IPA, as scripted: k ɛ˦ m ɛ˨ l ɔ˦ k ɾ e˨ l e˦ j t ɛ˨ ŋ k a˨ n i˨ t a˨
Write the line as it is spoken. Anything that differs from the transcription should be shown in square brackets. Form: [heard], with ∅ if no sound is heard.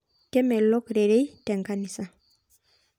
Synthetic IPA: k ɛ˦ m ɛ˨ l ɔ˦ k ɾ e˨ [ɾ] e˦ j t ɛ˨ ŋ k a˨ n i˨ [s] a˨